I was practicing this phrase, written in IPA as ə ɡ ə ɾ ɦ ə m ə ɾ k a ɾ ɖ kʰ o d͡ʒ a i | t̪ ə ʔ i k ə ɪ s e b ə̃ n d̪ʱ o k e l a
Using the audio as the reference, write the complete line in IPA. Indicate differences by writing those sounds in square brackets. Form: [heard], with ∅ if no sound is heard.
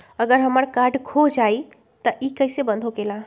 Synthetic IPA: ə ɡ ə ɾ ɦ ə m ə ɾ k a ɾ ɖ kʰ o d͡ʒ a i | t̪ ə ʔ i k ə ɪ s e b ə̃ n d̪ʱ o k e l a

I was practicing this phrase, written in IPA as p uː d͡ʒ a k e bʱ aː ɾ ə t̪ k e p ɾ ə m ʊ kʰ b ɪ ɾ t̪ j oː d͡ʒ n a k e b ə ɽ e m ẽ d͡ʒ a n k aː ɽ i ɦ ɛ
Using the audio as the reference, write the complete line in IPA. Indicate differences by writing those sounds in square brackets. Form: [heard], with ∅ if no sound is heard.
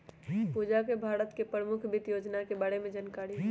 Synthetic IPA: p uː d͡ʒ a k e bʱ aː ɾ ə t̪ k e p ɾ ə m ʊ kʰ b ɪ [∅] t̪ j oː d͡ʒ n a k e b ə ɽ e m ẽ d͡ʒ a n k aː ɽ i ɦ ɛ

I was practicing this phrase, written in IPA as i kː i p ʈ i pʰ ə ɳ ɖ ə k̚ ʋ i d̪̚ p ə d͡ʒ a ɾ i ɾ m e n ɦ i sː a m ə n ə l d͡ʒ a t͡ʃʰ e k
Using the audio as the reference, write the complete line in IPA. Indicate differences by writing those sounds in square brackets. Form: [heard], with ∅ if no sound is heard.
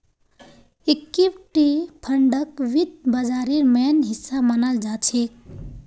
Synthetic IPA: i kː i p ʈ i pʰ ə ɳ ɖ ə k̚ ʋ i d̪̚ [b] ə d͡ʒ a ɾ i ɾ m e n ɦ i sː a m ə n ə l d͡ʒ a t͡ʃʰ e k

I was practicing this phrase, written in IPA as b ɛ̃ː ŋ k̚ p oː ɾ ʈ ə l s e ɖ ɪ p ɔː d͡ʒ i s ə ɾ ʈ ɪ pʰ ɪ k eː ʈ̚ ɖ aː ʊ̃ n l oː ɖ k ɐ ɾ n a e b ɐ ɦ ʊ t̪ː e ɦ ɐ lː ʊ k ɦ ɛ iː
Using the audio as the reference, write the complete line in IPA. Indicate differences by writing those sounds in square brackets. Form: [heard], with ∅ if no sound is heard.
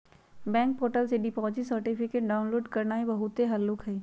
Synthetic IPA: b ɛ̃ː ŋ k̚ p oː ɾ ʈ ə l s e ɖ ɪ p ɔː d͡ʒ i s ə ɾ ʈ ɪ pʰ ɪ k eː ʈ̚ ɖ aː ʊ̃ n l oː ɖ k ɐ ɾ n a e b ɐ ɦ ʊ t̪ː e ɦ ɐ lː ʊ k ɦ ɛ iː

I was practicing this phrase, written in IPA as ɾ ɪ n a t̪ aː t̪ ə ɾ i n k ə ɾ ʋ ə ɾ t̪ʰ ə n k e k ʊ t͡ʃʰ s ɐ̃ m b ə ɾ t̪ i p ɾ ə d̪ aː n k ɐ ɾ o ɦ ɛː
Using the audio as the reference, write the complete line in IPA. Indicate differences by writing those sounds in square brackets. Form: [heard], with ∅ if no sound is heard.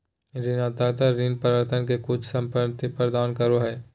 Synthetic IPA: ɾ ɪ n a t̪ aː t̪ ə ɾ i n [p] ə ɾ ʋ ə ɾ t̪ʰ ə n k e k ʊ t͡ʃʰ s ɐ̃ m [p] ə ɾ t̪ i p ɾ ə d̪ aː n k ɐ ɾ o ɦ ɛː

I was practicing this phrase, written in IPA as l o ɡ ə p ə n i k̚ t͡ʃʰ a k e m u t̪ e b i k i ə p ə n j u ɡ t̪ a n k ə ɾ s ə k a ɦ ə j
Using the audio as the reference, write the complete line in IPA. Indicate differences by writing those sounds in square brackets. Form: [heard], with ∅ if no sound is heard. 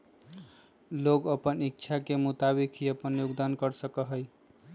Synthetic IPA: l o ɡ ə p ə n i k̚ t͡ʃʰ a k e m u t̪ [a] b i k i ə p ə n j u ɡ [d̪] a n k ə ɾ s ə k [ə] ɦ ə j

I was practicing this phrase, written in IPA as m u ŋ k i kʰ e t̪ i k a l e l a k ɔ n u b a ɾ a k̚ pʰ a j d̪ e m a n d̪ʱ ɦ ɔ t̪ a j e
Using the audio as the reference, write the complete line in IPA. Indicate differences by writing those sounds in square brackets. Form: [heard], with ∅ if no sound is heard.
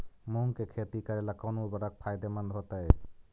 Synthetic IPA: m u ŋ k [e] kʰ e t̪ i k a [ɾ] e l a k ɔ n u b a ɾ a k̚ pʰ a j d̪ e m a n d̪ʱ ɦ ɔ t̪ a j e

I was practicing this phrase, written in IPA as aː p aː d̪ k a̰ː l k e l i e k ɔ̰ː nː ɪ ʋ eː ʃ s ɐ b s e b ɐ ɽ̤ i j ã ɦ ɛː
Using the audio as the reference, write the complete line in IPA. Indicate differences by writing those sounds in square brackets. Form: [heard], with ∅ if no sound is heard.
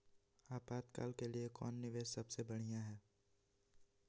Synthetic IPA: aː p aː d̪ k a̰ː l k e l i e k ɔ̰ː nː ɪ ʋ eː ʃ s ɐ b s e b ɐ ɽ̤ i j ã ɦ ɛː

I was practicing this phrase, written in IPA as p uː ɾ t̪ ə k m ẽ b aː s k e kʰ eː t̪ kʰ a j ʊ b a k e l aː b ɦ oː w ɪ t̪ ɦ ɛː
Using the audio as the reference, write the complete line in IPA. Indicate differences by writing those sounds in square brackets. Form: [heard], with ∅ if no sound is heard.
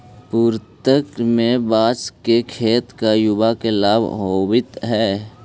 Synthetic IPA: p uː ɾ t̪ ə k m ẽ b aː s k e kʰ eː t̪ [k] a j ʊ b a k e l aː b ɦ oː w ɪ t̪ ɦ ɛː

